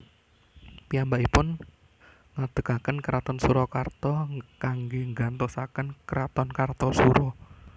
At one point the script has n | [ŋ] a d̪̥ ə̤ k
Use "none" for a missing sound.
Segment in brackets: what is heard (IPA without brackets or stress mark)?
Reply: ŋ